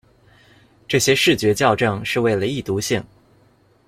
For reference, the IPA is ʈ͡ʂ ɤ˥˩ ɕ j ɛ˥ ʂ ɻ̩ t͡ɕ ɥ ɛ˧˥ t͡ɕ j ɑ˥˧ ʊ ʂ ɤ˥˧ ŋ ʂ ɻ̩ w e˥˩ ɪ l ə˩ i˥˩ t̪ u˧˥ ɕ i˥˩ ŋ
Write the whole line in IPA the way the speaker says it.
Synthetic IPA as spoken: ʈ͡ʂ ɤ˥˩ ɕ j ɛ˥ ʂ ɻ̩ t͡ɕ ɥ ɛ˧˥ t͡ɕ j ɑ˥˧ ʊ ʈ͡ʂ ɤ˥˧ ŋ ʂ ɻ̩ w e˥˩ ɪ l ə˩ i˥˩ t̪ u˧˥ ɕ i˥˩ ŋ